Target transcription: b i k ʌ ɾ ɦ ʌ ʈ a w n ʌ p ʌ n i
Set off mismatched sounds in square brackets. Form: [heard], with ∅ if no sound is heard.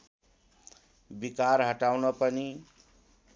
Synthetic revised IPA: b i k [a] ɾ ɦ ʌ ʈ a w n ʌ p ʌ n i